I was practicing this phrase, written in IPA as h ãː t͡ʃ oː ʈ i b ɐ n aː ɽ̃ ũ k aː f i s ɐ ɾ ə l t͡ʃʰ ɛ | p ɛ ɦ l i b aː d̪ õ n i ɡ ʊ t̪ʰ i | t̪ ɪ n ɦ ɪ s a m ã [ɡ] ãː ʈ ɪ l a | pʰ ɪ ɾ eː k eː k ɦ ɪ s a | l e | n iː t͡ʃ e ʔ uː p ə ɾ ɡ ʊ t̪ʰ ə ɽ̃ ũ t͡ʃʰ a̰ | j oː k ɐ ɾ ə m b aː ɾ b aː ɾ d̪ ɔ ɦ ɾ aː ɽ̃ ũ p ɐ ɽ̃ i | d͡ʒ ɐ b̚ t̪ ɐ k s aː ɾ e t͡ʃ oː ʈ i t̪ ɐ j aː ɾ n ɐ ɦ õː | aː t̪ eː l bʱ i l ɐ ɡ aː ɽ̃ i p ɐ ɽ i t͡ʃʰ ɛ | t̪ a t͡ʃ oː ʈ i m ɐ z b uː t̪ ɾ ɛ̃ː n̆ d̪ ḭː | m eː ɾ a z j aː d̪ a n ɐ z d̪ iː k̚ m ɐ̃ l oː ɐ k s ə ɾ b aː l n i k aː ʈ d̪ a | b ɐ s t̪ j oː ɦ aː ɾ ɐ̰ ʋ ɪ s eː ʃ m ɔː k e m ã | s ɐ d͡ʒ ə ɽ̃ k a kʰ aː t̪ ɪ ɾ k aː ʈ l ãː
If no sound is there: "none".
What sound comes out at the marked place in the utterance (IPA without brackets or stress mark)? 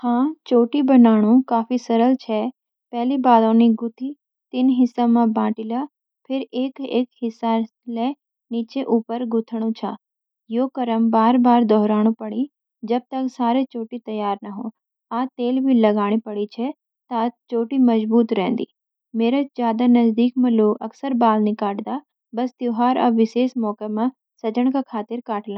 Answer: b